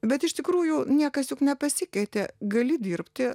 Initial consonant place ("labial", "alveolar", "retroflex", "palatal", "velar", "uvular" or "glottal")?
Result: labial